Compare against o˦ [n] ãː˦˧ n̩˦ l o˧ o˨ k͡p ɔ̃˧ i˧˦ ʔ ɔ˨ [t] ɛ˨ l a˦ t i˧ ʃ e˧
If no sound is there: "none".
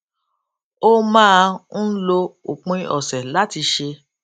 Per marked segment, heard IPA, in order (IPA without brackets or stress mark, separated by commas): m, s